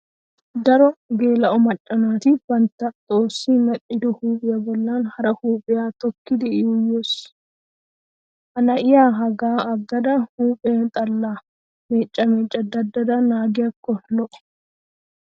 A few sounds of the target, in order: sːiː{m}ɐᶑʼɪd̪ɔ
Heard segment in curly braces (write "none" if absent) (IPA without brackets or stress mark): m